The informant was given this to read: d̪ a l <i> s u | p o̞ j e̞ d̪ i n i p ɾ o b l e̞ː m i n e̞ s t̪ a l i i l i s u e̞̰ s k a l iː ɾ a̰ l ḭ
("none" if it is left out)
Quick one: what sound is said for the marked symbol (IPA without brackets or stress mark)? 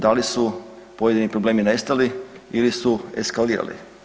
i